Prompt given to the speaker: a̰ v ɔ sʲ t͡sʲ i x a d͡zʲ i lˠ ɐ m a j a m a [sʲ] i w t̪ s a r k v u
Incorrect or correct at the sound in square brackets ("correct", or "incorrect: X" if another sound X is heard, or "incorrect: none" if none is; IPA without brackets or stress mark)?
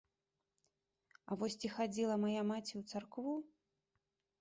incorrect: t͡sʲ